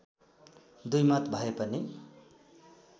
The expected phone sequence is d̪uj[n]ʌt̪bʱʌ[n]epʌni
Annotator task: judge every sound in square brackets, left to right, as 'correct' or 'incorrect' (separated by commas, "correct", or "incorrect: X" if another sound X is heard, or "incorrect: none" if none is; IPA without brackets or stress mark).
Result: incorrect: m, incorrect: none